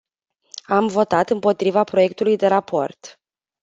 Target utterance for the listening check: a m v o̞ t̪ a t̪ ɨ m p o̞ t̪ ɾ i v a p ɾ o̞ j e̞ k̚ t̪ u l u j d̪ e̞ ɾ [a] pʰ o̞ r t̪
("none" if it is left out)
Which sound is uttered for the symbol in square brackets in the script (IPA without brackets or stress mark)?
a